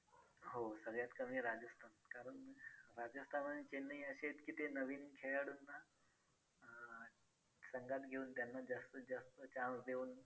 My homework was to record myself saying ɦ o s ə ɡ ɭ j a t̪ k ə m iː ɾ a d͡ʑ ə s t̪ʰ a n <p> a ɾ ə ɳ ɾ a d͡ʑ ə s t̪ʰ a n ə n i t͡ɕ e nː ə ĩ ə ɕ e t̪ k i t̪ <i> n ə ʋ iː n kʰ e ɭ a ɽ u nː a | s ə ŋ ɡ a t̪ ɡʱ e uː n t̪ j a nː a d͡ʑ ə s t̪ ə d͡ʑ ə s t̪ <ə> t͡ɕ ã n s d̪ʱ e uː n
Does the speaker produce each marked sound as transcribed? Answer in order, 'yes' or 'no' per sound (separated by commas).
no, no, yes